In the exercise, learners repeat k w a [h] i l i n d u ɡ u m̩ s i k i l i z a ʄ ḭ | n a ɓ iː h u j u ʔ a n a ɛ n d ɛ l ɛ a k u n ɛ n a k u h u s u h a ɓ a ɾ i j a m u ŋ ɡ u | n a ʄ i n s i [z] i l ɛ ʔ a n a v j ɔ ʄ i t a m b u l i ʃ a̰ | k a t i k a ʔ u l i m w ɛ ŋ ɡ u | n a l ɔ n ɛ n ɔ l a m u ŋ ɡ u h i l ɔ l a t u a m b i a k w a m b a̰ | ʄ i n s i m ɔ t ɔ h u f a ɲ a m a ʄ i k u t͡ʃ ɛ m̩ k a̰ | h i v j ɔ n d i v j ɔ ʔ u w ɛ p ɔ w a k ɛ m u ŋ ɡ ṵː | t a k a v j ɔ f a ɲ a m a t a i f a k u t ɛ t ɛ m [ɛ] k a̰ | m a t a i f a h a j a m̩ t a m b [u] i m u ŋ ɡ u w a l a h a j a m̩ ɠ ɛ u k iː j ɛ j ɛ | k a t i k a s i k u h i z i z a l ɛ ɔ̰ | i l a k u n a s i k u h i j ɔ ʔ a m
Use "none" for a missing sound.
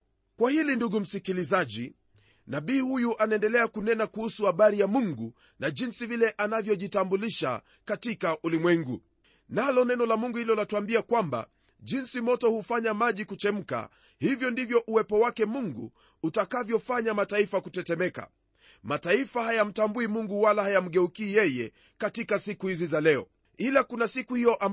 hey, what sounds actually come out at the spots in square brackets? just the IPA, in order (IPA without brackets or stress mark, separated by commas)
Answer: h, v, ɛ, u